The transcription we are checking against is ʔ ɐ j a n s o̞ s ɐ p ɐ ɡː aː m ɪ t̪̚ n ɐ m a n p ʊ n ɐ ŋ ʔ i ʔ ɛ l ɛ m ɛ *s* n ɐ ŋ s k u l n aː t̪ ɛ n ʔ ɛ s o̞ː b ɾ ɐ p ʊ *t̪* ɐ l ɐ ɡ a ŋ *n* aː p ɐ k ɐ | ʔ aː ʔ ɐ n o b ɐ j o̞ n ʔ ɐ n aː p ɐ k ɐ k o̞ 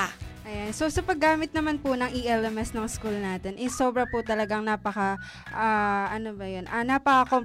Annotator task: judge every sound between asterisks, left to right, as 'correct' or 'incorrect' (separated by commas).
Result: correct, correct, correct